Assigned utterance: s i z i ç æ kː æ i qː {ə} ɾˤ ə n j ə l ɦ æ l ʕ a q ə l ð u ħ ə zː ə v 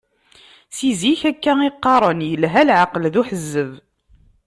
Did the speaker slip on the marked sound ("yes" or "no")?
yes